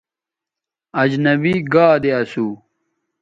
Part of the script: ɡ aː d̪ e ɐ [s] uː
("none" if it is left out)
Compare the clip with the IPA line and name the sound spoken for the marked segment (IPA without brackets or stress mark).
s